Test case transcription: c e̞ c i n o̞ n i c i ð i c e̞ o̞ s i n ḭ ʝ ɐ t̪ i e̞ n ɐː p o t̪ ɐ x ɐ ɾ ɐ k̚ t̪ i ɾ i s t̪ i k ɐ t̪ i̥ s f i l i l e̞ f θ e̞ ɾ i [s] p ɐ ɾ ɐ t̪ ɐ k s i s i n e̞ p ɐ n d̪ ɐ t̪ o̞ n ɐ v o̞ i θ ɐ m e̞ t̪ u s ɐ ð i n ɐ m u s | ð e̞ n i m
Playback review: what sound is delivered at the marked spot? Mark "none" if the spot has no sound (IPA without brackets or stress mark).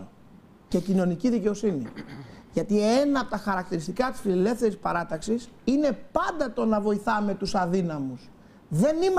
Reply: s